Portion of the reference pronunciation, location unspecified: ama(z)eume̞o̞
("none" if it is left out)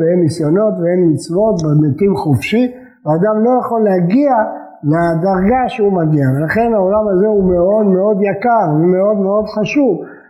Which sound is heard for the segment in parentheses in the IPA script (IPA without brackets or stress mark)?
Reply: z